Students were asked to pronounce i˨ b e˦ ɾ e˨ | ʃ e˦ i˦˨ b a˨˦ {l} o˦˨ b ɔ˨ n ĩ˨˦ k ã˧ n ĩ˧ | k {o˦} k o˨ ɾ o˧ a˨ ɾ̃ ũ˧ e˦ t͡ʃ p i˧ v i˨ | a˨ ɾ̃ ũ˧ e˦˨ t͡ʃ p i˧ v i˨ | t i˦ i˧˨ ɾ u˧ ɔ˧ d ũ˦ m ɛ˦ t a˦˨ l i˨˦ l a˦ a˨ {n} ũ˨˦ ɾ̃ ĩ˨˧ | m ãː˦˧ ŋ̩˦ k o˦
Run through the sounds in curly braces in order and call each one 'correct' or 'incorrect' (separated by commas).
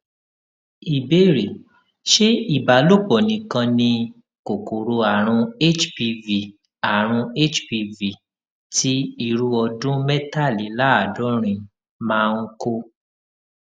correct, incorrect, incorrect